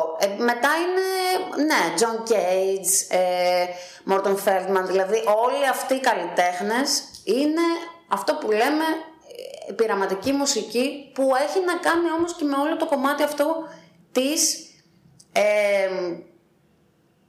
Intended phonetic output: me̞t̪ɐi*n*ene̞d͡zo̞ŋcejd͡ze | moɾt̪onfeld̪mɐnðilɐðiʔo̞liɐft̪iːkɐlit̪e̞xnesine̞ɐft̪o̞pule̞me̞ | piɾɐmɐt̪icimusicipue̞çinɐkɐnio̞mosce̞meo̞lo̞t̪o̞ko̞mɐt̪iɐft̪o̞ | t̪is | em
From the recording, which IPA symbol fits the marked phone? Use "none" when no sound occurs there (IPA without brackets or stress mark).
n